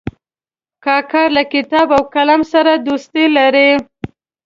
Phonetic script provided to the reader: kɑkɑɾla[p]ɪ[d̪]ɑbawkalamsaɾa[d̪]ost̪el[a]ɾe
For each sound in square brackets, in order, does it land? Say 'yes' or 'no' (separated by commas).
no, no, yes, yes